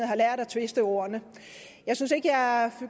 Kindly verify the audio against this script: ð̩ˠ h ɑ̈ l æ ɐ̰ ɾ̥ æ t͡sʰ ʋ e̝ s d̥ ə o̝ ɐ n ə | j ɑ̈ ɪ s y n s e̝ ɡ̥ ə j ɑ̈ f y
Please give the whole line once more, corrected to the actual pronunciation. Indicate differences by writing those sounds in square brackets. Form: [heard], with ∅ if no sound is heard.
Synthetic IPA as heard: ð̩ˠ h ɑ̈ l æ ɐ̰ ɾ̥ æ t͡sʰ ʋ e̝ s d̥ ə o̝ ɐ n ə | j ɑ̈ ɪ s y n s e̝ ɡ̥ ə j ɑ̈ f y